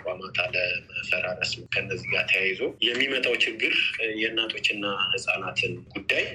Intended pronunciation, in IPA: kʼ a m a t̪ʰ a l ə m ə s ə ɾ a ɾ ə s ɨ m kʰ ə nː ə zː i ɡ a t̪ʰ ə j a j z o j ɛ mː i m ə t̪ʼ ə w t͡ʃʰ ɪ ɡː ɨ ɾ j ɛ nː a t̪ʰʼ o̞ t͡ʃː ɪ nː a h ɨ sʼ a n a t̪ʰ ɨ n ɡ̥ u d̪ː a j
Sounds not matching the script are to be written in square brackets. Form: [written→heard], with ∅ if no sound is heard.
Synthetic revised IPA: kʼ a m a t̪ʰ a l ə m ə [s→f] ə ɾ a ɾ ə s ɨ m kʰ ə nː ə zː i ɡ a t̪ʰ ə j a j z o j ɛ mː i m ə t̪ʼ [ə→a] w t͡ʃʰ ɪ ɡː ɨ ɾ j ɛ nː a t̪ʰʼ o̞ t͡ʃː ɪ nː a h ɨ sʼ a n a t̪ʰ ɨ n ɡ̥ u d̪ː a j